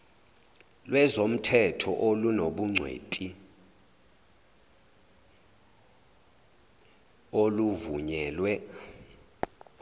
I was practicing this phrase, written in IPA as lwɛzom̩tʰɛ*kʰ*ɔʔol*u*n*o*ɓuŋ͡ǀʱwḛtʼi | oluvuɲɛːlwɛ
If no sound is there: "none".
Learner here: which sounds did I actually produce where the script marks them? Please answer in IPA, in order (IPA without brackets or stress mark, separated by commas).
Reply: tʰ, u, o